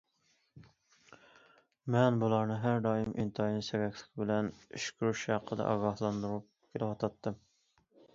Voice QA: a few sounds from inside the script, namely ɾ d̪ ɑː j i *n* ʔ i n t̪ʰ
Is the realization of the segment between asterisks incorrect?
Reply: yes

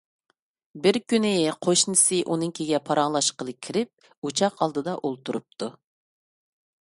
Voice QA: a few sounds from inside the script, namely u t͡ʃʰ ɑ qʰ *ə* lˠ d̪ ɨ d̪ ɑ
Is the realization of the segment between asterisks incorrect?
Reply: yes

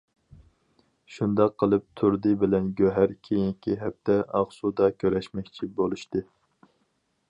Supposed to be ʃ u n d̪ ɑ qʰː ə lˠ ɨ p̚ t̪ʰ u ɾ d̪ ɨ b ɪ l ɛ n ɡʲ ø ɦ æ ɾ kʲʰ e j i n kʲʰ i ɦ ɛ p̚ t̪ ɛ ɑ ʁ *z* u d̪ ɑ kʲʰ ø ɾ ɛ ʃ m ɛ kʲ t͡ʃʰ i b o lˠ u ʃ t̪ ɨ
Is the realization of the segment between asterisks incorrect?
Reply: yes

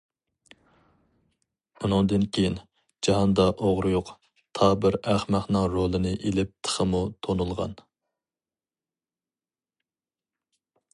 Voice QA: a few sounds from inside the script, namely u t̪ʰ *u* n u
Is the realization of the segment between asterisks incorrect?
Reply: yes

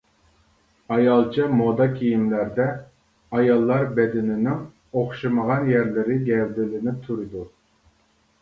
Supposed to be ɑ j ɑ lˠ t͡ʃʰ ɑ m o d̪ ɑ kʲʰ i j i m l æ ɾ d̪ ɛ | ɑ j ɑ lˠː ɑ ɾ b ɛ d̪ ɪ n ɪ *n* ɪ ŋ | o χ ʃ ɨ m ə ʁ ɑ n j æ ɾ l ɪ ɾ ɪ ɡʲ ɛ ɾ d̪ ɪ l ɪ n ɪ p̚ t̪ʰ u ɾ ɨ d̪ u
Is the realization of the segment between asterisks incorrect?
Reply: no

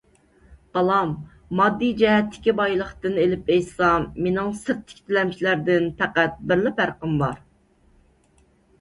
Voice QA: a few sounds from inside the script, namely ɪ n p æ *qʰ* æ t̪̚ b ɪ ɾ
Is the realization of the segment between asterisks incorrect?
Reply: yes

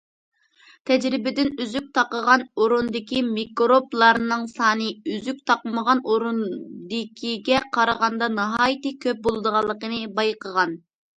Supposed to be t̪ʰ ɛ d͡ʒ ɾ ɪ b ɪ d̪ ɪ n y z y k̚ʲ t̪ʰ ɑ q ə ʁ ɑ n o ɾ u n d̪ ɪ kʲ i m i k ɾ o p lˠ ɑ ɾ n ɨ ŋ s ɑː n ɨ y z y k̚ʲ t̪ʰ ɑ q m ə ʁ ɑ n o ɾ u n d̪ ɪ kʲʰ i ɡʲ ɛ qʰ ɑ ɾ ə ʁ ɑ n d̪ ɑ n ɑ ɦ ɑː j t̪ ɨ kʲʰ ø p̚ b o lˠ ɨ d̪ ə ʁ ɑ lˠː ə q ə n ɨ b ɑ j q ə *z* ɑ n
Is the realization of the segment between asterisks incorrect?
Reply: yes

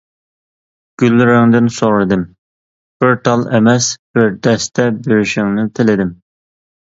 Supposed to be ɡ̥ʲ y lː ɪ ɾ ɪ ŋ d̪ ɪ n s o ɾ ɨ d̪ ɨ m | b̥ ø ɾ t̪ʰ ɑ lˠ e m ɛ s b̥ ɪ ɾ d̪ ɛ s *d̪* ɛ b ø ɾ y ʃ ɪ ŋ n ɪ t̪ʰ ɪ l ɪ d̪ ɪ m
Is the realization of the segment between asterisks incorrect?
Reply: yes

